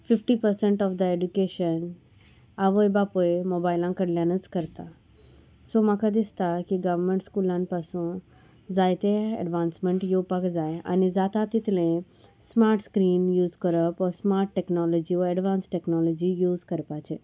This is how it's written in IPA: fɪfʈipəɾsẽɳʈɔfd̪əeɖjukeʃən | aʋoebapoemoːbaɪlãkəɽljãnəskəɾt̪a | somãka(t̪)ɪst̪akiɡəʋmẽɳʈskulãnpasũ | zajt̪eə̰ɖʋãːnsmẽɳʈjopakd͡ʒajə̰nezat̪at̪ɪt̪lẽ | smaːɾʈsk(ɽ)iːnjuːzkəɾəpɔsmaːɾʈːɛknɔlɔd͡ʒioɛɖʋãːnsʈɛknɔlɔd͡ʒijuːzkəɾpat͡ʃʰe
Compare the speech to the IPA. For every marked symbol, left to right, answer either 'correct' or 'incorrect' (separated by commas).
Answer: incorrect, incorrect